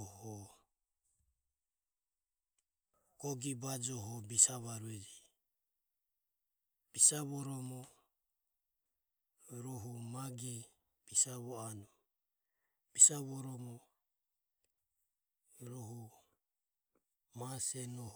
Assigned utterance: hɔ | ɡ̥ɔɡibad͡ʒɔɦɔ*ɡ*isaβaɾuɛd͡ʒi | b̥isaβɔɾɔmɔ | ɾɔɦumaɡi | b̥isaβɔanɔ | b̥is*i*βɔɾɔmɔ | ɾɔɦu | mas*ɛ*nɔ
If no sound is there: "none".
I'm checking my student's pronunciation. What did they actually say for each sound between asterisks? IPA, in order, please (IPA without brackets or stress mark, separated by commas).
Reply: b, a, ɛ